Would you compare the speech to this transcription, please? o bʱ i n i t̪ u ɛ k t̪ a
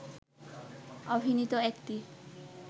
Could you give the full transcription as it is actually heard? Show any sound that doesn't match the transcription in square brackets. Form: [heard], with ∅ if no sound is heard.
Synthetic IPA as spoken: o bʱ i n i t̪ [o] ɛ k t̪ [i]